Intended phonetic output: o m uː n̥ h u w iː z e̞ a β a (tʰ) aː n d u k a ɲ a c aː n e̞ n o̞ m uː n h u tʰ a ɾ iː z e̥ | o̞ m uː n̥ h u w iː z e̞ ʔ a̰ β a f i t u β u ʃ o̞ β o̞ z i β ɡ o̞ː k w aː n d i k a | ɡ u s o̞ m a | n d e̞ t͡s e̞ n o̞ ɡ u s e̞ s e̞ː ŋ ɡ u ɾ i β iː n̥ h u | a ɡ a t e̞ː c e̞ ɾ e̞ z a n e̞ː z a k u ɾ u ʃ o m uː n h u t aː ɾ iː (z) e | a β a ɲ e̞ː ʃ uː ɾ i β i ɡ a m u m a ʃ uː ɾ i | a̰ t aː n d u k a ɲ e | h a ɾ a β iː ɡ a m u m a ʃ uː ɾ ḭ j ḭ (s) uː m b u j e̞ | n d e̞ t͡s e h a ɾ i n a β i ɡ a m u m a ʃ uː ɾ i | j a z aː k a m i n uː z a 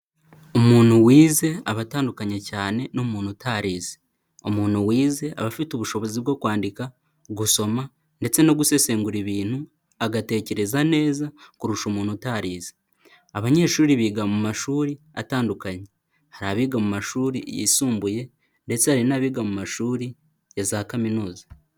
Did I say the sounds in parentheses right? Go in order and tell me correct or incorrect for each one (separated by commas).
incorrect, correct, correct